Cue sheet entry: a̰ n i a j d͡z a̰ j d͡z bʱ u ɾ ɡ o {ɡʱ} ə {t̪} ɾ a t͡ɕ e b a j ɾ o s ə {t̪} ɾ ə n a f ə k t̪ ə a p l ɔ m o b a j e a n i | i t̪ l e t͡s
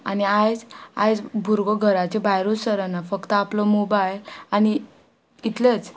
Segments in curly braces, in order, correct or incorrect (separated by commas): correct, incorrect, incorrect